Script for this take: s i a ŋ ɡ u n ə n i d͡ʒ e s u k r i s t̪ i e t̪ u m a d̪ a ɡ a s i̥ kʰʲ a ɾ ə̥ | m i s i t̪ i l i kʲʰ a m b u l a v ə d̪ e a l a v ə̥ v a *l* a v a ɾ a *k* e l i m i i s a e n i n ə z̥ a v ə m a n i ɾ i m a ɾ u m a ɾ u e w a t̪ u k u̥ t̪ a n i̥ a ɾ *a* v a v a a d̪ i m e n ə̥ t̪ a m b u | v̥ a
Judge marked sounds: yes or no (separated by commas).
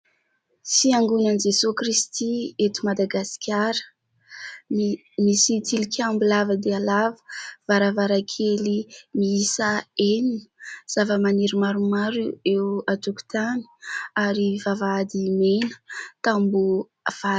no, no, no